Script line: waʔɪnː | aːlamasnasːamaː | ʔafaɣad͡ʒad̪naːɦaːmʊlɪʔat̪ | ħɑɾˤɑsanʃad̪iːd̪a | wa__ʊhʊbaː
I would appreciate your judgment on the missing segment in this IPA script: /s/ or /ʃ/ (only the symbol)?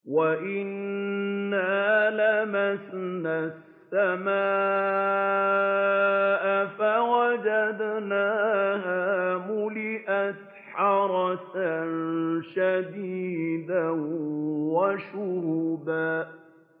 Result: ʃ